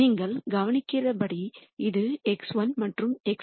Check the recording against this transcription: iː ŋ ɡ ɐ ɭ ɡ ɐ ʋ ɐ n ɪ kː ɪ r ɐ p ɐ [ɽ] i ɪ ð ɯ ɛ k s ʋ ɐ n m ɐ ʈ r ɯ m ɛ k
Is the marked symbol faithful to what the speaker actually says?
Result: yes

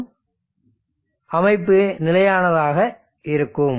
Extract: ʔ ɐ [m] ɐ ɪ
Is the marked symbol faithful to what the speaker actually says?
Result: yes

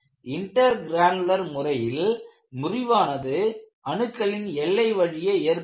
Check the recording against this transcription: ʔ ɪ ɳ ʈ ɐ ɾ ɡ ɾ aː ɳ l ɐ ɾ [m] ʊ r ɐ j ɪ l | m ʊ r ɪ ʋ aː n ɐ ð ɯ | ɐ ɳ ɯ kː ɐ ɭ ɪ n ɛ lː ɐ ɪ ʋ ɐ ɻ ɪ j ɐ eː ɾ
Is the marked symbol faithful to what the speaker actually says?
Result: yes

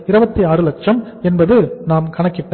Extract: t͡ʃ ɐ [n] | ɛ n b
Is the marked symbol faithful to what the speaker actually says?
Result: no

